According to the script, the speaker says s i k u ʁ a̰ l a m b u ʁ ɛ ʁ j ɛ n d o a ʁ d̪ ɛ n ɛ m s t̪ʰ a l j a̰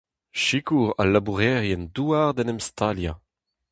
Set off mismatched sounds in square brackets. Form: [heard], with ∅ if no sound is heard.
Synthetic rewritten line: [ʃ] i k u ʁ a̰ l a [∅] b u ʁ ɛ ʁ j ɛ n d [u] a ʁ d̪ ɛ n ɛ m s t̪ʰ a l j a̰

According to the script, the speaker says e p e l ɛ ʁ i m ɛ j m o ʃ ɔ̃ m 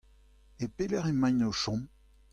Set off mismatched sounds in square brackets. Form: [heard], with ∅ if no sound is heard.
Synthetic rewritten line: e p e l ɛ ʁ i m [a] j [n] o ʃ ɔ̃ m

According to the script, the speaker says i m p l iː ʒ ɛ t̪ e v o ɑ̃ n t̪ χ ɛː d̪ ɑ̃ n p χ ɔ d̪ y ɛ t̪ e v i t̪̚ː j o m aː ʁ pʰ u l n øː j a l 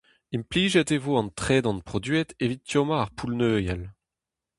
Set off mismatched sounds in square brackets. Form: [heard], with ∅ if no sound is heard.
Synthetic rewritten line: i m p l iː ʒ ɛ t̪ e v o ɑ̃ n t̪ χ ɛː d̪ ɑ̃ n p χ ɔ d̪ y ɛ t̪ e v i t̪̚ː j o m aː ʁ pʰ u l n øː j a l

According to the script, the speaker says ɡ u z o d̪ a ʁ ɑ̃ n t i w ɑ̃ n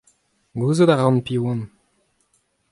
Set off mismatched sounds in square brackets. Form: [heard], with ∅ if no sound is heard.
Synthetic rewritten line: ɡ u z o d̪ a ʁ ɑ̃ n [p] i w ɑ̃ n

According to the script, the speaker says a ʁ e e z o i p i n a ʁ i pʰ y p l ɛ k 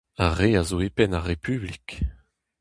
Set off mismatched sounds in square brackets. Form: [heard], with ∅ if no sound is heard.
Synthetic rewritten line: a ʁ e [a] z o [e] p [ɛ] n a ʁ [e] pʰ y [b] l [i] k

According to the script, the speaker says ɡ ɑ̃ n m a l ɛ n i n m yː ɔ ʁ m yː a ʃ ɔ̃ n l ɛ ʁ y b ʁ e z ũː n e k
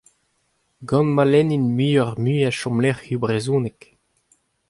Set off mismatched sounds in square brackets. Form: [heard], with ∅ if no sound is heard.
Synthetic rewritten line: ɡ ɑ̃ n m a l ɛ n i n m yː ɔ ʁ m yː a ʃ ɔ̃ [m] l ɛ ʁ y b ʁ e z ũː n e k

